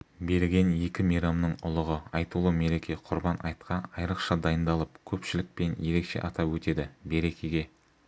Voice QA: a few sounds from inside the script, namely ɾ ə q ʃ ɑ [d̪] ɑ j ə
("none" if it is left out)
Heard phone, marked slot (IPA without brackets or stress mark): d̪